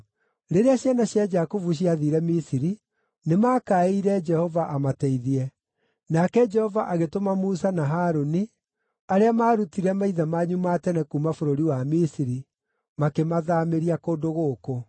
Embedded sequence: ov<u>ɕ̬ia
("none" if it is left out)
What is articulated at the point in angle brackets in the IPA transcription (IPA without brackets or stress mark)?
u